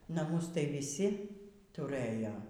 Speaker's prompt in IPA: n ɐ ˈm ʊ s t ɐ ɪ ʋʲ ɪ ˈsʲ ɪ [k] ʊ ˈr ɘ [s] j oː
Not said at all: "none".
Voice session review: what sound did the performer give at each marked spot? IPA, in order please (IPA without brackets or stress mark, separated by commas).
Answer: t, none